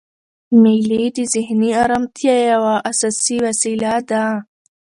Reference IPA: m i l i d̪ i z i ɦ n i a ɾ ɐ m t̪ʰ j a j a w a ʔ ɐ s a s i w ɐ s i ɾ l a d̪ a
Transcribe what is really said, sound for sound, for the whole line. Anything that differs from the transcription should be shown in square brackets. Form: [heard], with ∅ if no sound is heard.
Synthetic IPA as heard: m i l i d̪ i z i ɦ n i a ɾ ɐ m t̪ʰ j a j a w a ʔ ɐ s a s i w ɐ s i [∅] l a d̪ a